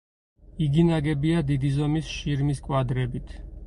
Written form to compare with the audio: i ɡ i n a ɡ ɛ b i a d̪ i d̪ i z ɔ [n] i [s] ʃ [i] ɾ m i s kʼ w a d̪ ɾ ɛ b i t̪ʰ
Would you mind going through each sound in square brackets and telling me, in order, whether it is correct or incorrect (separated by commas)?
incorrect, correct, correct